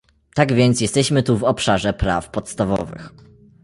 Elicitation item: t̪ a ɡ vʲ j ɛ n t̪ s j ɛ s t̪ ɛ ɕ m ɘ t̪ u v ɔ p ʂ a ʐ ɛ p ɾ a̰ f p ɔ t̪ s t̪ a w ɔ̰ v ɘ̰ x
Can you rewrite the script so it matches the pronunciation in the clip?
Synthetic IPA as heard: t̪ a ɡ vʲ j ɛ n t̪ s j ɛ s t̪ ɛ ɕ m ɘ t̪ u v ɔ p ʂ a ʐ ɛ p ɾ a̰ f p ɔ t̪ s t̪ a v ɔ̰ v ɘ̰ x